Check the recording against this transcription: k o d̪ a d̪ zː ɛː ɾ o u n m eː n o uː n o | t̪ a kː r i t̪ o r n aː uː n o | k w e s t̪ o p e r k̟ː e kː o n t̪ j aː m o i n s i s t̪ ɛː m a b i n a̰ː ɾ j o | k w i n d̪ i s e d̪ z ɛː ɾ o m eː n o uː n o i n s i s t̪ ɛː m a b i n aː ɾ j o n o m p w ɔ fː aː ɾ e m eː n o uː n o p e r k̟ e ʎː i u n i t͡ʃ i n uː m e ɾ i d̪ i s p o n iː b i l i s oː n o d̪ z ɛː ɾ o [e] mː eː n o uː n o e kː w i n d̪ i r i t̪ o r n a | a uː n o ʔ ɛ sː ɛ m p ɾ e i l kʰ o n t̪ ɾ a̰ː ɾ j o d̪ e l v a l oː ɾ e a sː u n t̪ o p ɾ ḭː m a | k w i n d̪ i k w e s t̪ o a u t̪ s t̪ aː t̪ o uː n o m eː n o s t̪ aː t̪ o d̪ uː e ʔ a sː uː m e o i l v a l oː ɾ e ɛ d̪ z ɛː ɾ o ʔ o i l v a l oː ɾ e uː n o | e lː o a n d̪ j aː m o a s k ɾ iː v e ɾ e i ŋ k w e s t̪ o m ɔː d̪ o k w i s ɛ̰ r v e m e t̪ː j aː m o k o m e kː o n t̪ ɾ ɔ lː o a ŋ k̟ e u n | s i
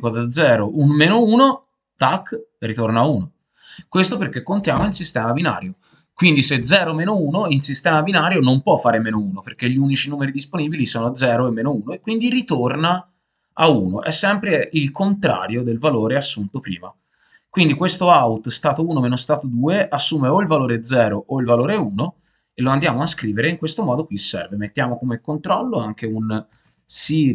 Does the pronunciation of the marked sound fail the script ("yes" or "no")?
no